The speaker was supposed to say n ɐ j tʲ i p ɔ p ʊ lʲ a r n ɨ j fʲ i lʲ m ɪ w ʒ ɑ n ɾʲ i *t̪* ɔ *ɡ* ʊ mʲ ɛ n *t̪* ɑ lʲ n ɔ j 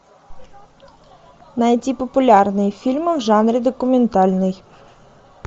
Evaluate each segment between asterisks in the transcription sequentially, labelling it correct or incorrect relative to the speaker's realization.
incorrect: d̪, incorrect: k, correct

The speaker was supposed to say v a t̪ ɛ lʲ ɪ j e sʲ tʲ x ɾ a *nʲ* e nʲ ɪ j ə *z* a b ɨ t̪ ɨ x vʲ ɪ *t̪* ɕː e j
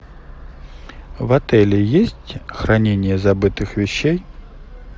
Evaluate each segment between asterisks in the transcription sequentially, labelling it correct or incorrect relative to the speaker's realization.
correct, correct, incorrect: none

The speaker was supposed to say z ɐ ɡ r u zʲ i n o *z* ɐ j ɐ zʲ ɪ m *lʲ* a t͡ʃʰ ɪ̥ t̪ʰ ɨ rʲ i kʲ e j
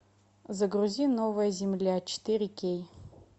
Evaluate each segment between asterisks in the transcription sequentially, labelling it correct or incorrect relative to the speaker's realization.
incorrect: v, correct

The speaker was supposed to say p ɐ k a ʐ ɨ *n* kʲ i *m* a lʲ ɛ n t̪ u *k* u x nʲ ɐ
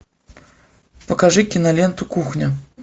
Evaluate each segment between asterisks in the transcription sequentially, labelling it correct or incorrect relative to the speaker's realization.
incorrect: none, incorrect: n, correct

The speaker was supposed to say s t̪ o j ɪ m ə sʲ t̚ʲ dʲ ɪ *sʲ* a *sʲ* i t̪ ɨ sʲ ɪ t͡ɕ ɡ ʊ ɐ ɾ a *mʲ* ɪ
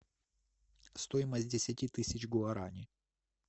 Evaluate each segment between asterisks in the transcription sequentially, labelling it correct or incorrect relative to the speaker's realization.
correct, incorrect: tʲ, incorrect: nʲ

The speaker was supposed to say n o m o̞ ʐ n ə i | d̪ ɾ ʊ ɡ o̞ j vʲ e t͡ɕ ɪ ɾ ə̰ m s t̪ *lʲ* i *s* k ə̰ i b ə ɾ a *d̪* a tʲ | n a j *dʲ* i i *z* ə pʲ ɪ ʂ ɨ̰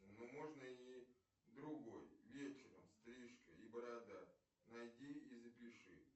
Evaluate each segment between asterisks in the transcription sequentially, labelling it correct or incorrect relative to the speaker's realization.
incorrect: ɾʲ, incorrect: ʂ, correct, correct, correct

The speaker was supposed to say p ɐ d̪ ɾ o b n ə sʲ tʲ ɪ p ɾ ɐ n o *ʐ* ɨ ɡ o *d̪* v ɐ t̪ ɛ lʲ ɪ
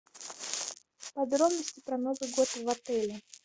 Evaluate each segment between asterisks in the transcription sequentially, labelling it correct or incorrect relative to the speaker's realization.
incorrect: z, incorrect: t̪

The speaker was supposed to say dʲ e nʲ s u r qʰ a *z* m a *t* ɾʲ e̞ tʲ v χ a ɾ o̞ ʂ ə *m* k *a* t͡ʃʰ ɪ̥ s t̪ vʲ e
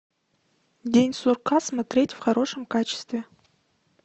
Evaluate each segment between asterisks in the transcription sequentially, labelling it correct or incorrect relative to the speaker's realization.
incorrect: s, correct, correct, correct

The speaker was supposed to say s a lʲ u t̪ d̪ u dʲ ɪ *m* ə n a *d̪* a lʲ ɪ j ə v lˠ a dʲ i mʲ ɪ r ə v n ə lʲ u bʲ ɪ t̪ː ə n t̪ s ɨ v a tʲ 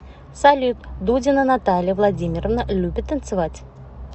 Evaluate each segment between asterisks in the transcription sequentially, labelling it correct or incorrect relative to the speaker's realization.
incorrect: n, incorrect: t̪

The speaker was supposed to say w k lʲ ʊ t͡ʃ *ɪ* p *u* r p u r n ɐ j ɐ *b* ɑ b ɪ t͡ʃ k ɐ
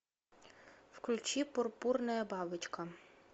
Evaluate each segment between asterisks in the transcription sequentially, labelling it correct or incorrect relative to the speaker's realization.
incorrect: i, incorrect: ɔ, correct

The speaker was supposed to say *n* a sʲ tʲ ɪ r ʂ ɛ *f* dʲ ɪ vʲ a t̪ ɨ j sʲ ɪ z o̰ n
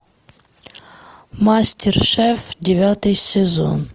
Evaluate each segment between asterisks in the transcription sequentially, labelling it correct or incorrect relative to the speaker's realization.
incorrect: m, correct

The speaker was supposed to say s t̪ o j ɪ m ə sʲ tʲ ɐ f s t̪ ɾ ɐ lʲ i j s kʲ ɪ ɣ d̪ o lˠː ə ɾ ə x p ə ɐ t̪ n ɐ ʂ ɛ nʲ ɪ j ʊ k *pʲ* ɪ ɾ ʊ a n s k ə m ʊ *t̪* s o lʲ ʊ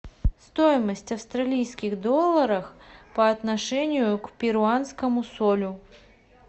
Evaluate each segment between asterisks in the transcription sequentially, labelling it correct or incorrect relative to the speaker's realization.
correct, incorrect: none

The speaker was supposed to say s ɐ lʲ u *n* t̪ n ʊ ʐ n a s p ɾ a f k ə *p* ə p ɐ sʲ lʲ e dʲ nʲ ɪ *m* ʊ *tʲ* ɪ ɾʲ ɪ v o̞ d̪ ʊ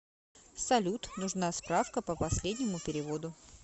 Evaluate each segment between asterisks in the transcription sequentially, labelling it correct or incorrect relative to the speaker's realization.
incorrect: none, correct, correct, incorrect: pʲ

